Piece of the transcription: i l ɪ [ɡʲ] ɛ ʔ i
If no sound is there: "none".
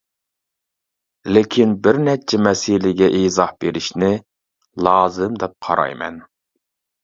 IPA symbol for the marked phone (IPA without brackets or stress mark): ɡʲ